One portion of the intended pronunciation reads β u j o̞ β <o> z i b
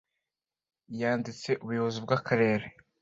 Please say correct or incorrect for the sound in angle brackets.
correct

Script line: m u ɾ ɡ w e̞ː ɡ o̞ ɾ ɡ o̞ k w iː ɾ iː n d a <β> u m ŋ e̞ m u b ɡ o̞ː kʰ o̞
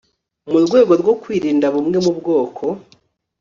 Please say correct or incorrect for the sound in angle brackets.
correct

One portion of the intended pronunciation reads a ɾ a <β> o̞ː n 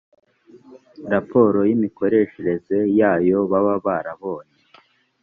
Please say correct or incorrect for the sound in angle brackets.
correct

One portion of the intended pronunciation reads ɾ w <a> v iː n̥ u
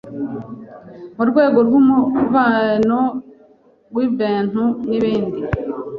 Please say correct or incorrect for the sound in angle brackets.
incorrect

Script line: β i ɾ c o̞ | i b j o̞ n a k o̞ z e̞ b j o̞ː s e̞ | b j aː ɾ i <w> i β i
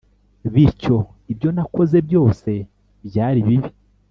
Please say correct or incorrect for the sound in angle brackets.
incorrect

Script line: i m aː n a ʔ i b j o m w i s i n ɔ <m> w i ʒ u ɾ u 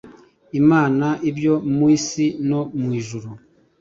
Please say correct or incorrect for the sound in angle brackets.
correct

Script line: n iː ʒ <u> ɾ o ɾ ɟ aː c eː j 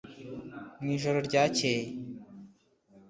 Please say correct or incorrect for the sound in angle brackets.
incorrect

